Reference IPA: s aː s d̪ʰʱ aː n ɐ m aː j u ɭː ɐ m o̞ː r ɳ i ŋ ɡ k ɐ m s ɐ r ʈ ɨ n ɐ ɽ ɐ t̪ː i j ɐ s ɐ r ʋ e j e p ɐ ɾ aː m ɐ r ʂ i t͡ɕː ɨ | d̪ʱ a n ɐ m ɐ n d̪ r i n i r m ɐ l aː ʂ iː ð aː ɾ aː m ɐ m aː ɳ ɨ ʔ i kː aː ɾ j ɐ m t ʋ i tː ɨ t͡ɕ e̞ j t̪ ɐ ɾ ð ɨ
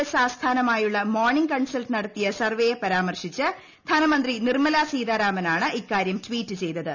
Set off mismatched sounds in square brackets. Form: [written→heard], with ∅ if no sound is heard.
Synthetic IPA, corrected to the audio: s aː s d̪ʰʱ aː n ɐ m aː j u ɭː ɐ m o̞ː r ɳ i ŋ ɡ k ɐ [m→ɳ] s ɐ [r→l] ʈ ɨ n ɐ ɽ ɐ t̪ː i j ɐ s ɐ r ʋ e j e p ɐ ɾ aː m ɐ r ʂ i t͡ɕː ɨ | d̪ʱ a n ɐ m ɐ n d̪ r i n i r m ɐ l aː [ʂ→s] iː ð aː ɾ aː m ɐ [m→n] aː ɳ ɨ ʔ i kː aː ɾ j ɐ m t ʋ [i→iː] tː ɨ t͡ɕ e̞ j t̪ ɐ [ɾ→∅] ð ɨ

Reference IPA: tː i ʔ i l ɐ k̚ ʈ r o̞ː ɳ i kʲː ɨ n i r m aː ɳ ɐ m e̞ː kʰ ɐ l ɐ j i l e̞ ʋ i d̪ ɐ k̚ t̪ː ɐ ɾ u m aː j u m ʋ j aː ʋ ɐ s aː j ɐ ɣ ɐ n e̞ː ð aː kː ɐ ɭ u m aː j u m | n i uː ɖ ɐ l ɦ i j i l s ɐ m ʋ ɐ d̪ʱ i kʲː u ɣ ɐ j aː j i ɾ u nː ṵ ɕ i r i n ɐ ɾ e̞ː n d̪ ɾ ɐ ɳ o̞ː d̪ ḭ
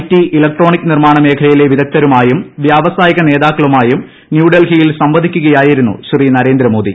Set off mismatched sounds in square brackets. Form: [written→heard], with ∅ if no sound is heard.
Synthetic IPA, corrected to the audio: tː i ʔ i l ɐ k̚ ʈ r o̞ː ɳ i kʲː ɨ n i r m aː ɳ ɐ m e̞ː kʰ ɐ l ɐ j i l e̞ ʋ i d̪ ɐ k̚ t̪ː ɐ ɾ u m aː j u m ʋ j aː ʋ ɐ s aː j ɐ ɣ ɐ n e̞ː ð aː kː ɐ ɭ u m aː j u m | n [i→j] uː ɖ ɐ l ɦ i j i l s ɐ m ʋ ɐ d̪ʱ i kʲː u ɣ ɐ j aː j i ɾ u nː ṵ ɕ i r i n ɐ ɾ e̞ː n d̪ ɾ ɐ [ɳ→m] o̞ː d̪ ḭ

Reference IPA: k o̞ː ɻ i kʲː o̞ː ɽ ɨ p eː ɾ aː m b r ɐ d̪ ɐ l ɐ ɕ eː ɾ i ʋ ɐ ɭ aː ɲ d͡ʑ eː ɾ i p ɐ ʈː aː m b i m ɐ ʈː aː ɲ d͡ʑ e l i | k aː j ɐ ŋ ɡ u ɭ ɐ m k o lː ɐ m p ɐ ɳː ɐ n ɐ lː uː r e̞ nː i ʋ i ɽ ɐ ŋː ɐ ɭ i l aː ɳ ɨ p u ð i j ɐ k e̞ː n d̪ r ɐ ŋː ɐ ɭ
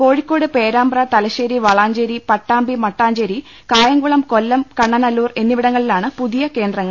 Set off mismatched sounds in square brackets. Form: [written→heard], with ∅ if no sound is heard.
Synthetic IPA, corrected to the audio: k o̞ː ɻ i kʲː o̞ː ɽ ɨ p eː ɾ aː m b r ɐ [d̪→t̪] ɐ l ɐ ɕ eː ɾ i ʋ ɐ ɭ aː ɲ d͡ʑ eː ɾ i p ɐ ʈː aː m b i m ɐ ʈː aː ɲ d͡ʑ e [l→ɾ] i | k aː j ɐ ŋ ɡ u ɭ ɐ m k o lː ɐ m [p→k] ɐ ɳː ɐ n ɐ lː uː r e̞ nː i ʋ i ɽ ɐ ŋː ɐ ɭ i l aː ɳ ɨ p u ð i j ɐ k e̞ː n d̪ r ɐ ŋː ɐ ɭ

